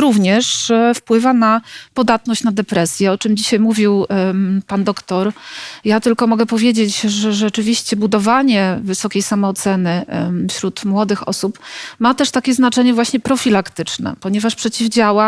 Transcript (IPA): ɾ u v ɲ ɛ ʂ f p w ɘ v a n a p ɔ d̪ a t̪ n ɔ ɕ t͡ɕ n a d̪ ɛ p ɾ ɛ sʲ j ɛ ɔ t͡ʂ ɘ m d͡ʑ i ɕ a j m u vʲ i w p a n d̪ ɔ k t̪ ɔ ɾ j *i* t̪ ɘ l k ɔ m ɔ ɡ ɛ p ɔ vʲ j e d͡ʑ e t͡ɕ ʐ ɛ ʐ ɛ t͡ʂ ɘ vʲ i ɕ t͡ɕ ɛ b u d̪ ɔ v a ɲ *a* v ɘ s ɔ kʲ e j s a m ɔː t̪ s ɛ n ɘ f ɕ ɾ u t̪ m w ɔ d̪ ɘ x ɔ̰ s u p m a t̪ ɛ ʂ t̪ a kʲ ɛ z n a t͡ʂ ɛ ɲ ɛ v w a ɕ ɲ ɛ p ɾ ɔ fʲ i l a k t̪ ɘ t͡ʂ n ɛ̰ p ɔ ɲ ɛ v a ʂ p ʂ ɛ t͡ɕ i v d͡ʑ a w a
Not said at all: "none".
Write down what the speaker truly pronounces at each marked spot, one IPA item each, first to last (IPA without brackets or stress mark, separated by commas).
a, ɛ